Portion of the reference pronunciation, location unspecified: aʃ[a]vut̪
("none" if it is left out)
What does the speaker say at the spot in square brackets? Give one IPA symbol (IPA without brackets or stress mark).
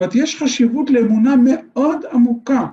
i